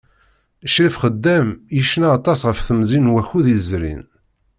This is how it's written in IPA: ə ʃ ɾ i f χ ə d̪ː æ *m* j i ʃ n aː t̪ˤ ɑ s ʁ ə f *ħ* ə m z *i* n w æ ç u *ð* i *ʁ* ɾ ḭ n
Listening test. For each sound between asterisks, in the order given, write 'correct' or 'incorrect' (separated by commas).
correct, incorrect, correct, correct, incorrect